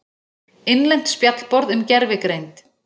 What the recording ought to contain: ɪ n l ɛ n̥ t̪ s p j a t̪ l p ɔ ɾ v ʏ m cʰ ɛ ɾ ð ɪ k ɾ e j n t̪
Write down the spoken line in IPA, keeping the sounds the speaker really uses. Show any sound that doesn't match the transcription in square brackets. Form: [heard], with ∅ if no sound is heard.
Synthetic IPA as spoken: ɪ n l ɛ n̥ t̪ s p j a t̪ l p ɔ ɾ [ð] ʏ m [c] ɛ ɾ [v] ɪ k ɾ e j n t̪